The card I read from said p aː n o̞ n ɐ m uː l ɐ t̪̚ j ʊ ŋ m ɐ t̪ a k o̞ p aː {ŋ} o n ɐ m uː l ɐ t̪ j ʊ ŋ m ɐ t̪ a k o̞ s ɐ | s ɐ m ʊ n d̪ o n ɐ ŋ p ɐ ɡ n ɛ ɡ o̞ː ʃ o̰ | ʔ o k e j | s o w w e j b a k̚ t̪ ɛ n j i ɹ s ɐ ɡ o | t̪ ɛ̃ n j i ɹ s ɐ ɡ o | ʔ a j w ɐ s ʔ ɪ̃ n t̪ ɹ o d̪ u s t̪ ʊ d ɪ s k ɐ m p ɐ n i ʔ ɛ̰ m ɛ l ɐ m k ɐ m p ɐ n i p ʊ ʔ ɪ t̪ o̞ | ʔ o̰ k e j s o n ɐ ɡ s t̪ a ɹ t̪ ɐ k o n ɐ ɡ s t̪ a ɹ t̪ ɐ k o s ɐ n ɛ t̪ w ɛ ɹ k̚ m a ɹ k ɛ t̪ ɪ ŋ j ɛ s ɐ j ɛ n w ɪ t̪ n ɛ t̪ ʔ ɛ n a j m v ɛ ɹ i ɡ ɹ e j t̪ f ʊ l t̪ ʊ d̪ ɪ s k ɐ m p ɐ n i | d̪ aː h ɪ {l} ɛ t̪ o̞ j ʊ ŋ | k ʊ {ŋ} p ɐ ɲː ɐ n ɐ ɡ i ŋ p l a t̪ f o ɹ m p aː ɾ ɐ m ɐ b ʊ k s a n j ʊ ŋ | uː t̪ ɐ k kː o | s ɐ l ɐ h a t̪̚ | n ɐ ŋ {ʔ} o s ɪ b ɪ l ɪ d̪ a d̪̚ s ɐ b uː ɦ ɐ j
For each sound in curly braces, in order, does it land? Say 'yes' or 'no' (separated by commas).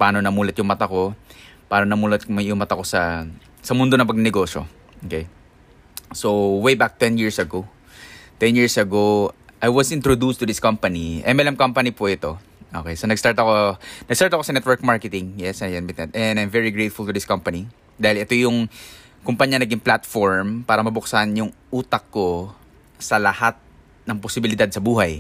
no, yes, no, no